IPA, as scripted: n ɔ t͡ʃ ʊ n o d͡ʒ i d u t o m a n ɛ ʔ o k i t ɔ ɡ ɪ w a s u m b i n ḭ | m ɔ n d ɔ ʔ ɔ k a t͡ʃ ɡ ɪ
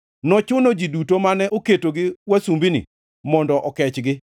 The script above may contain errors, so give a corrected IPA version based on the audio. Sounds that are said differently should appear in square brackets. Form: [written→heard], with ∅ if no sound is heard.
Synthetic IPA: n ɔ t͡ʃ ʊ n o d͡ʒ i d u t o m a n ɛ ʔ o k [i→e] t [ɔ→o] ɡ ɪ w a s u m b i n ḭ | m ɔ n d ɔ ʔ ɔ k [a→ɛ] t͡ʃ ɡ ɪ